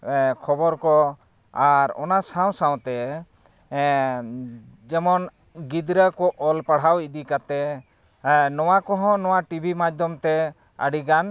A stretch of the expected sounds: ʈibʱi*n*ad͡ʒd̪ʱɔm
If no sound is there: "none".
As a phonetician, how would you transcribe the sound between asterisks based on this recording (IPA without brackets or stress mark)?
m